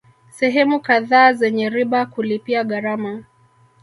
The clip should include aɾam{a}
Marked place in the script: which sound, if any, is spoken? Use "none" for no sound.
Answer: a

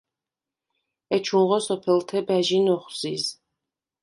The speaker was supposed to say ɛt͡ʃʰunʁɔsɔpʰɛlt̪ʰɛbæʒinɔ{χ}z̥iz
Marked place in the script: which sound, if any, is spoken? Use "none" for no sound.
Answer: χ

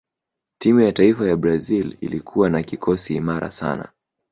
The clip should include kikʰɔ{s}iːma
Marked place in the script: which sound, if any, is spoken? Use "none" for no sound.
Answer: s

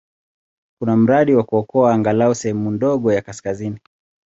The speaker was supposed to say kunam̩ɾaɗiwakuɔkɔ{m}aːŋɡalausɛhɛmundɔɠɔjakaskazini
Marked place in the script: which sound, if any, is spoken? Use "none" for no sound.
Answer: none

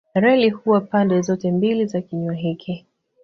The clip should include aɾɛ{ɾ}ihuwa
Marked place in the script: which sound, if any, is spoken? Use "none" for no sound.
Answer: l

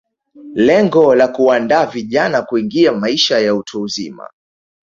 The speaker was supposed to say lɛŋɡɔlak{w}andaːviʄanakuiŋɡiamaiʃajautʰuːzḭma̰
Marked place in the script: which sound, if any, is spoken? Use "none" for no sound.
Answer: u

